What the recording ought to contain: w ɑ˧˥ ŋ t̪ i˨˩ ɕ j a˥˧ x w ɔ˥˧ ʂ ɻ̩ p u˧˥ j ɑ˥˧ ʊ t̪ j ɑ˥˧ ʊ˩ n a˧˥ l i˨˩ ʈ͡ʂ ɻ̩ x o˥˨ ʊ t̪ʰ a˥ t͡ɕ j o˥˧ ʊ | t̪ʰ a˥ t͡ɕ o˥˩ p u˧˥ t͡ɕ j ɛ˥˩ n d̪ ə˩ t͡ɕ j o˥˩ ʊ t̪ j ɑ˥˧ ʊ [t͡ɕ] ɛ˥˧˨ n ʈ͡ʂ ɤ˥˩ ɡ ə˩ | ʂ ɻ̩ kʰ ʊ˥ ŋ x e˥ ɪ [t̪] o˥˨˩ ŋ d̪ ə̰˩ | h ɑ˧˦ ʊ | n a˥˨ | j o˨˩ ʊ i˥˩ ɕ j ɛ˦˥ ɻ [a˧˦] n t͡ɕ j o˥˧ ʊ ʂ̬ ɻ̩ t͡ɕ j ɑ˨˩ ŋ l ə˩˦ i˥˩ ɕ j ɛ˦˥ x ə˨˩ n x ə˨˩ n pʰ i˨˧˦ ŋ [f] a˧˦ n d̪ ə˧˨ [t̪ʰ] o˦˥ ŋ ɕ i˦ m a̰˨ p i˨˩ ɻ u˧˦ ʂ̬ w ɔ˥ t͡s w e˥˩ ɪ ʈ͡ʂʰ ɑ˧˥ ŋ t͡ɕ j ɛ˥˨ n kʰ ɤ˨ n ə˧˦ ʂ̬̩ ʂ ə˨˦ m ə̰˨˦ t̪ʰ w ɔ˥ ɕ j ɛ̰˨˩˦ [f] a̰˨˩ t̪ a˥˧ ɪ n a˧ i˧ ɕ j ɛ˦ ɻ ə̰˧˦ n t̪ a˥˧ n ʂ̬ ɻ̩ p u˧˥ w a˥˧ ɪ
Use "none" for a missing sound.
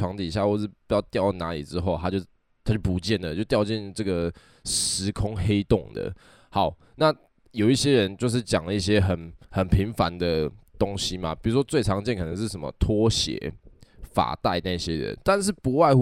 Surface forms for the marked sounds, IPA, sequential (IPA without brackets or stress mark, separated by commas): t͡ɕ, t̪, ə˧˦, f, t̪, f